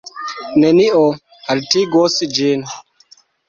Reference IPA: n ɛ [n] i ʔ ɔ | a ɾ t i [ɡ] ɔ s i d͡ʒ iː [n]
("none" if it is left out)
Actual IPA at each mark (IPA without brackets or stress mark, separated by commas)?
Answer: n, ɡ, n